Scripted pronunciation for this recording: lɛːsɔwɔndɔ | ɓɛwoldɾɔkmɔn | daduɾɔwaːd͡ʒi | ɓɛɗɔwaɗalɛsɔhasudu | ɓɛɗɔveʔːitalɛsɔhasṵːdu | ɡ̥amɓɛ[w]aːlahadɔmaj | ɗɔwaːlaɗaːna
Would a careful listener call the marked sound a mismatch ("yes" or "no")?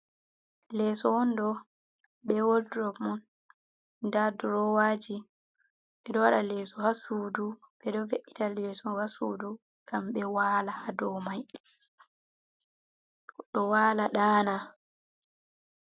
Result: no